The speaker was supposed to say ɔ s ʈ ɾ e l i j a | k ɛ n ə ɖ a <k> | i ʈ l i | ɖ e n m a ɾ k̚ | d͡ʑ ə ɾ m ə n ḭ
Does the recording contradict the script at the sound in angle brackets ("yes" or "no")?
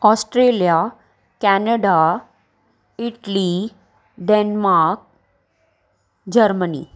yes